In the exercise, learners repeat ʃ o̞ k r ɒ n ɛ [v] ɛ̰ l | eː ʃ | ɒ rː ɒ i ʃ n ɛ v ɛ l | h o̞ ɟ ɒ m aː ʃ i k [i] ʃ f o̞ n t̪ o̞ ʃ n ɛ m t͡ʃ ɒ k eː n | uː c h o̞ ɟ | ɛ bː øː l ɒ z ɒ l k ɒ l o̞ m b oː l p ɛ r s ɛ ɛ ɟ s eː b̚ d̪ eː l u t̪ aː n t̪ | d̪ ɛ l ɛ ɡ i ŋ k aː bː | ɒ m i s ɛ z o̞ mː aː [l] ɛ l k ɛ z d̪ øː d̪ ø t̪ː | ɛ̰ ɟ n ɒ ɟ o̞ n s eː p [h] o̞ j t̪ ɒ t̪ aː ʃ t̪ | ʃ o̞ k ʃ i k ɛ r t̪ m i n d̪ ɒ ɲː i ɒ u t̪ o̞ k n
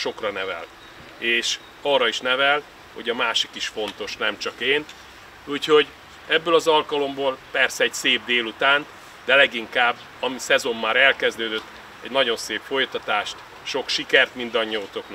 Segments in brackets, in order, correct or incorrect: correct, correct, incorrect, incorrect

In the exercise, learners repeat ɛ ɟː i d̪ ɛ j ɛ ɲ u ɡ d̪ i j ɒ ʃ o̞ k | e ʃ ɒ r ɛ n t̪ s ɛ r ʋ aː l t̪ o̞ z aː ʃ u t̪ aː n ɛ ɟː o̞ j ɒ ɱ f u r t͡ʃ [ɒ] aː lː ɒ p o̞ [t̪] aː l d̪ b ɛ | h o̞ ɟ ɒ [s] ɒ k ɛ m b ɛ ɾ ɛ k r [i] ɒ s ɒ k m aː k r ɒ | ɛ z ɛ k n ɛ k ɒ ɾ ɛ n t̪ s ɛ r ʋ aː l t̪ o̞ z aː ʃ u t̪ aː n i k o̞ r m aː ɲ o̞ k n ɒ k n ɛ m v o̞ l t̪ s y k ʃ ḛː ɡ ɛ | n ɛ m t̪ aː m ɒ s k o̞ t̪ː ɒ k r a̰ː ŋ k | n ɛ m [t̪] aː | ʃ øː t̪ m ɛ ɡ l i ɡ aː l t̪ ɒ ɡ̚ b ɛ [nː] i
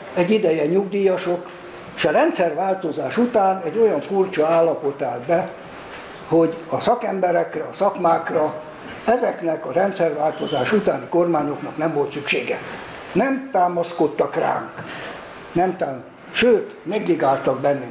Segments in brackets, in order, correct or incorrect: correct, correct, correct, incorrect, correct, correct

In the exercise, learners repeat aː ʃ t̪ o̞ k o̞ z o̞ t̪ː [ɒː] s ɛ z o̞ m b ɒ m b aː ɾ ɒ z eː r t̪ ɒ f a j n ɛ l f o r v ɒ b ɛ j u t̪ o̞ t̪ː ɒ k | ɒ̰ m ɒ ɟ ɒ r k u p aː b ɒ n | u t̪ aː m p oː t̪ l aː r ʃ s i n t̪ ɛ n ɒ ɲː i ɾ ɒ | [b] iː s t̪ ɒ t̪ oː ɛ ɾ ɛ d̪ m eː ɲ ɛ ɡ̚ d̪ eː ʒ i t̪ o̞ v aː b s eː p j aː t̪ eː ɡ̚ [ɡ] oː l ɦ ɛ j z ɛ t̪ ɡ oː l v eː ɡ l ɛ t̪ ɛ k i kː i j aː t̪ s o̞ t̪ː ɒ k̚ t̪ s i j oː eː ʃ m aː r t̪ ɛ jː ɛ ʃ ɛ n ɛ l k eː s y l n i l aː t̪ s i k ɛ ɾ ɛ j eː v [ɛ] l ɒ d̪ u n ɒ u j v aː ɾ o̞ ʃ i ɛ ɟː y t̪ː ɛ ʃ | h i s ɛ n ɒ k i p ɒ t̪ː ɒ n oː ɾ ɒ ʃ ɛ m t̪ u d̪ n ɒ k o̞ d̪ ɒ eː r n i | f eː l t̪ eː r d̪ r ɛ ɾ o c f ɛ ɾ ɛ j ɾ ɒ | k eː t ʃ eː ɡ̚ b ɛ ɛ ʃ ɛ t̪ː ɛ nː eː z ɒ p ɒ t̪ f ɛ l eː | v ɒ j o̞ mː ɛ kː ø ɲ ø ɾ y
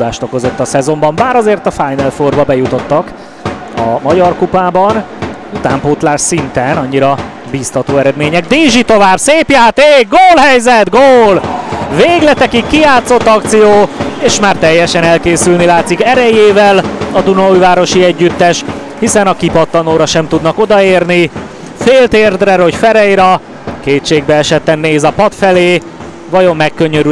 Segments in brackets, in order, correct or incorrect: incorrect, correct, correct, correct

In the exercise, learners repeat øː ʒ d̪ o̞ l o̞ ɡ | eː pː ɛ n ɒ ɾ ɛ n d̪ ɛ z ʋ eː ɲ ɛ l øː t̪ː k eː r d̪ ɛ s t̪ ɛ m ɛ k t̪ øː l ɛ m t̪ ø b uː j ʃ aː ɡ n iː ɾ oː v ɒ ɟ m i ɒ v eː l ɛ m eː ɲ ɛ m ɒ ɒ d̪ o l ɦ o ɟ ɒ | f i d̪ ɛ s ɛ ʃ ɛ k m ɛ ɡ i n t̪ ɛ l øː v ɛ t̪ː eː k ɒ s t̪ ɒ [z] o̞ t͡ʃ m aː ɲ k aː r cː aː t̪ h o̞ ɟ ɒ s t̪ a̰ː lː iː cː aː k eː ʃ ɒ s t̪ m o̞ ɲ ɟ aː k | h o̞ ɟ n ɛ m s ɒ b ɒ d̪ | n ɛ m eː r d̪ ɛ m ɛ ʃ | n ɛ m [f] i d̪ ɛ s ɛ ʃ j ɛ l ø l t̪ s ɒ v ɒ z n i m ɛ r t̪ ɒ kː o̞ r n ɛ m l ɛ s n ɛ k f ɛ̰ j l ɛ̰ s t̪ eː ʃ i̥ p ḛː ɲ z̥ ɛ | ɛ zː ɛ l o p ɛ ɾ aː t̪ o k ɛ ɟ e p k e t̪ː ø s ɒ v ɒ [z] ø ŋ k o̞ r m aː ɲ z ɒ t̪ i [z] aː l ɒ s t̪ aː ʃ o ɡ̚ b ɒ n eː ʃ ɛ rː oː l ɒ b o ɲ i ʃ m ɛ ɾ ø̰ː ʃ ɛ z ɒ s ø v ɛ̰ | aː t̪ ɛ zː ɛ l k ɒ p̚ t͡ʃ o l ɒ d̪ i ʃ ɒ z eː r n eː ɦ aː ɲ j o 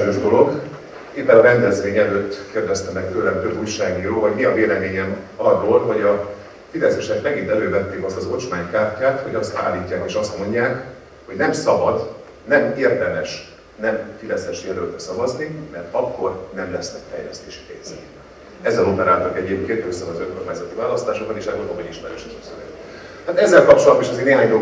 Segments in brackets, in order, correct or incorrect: correct, correct, correct, incorrect

